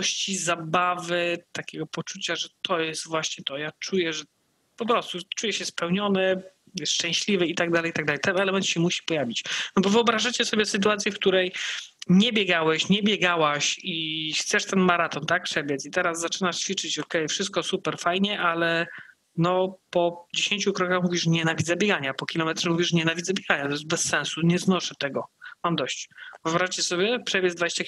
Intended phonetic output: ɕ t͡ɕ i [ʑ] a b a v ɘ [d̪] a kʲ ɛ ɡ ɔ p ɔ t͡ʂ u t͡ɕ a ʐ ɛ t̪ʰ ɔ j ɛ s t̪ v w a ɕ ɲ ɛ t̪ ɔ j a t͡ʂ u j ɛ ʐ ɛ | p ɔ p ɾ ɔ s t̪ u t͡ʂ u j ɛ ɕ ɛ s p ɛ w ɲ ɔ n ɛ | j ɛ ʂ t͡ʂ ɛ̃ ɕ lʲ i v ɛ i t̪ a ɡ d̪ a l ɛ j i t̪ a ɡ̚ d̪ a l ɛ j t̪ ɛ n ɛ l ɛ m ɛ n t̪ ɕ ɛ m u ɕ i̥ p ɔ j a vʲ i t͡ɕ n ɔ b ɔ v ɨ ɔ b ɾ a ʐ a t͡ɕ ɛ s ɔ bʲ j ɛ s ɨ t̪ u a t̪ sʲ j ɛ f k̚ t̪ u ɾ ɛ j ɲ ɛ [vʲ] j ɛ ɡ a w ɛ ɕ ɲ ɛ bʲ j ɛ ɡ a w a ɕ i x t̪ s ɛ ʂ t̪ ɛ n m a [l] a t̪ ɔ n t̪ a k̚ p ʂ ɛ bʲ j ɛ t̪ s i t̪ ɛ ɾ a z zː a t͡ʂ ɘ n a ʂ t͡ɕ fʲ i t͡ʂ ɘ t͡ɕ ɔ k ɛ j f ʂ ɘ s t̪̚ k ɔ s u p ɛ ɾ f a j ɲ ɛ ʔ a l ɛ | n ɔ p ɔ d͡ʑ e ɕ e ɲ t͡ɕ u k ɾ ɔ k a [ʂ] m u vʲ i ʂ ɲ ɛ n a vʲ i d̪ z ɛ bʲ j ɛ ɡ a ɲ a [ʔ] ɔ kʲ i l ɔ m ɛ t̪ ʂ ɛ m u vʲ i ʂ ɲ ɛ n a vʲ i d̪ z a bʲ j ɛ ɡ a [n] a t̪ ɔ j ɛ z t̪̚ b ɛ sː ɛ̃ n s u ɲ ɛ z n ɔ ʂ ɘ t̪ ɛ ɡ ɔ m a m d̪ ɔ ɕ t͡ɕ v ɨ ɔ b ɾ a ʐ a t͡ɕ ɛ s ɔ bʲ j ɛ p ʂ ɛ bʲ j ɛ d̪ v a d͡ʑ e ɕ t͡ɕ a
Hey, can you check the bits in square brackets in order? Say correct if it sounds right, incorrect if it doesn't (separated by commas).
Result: incorrect, incorrect, incorrect, incorrect, incorrect, incorrect, incorrect